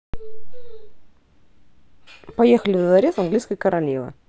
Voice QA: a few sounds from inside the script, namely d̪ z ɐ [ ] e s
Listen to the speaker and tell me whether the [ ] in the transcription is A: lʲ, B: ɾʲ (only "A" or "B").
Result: B